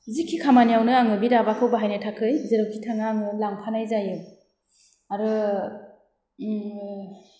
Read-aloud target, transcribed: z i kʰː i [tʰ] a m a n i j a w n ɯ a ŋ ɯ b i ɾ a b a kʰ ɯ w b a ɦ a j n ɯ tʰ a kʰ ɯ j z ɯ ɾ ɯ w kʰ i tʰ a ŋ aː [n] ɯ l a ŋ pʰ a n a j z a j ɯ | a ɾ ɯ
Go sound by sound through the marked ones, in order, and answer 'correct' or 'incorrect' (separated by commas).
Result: incorrect, incorrect